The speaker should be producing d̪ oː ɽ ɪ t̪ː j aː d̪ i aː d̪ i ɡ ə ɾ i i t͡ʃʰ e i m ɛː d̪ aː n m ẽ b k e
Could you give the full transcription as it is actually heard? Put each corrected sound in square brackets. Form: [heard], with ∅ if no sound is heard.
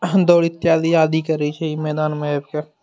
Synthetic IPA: d̪ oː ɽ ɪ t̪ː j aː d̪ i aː d̪ i [k] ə ɾ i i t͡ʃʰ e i m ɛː d̪ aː n m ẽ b k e